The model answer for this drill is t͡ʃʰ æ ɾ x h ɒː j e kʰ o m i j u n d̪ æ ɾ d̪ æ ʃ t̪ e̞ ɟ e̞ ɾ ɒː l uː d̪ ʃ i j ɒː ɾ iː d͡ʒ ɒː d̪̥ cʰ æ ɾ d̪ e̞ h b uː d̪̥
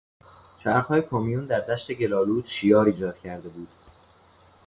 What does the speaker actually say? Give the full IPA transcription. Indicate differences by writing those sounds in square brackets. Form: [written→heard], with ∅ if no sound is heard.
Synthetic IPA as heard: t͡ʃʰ æ ɾ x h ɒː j e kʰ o m i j u n d̪ æ ɾ d̪ æ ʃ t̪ e̞ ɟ e̞ [ɾ→l] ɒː l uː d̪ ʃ i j ɒː ɾ iː d͡ʒ ɒː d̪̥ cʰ æ ɾ d̪ e̞ [h→∅] b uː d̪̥